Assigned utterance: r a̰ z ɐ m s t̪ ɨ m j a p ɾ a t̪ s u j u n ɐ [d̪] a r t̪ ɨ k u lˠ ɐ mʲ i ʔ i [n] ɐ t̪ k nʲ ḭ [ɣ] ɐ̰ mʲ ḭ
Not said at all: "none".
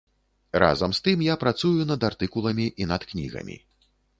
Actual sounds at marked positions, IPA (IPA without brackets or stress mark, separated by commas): d̪, n, ɣ